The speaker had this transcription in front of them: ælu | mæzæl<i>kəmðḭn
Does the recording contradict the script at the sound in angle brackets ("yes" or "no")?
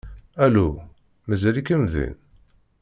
no